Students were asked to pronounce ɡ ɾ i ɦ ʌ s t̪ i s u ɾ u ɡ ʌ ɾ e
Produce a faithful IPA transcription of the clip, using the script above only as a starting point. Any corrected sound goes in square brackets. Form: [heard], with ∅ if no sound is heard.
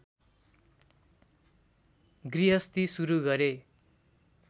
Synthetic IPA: ɡ [r] i ɦ ʌ s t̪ i s u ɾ u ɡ ʌ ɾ e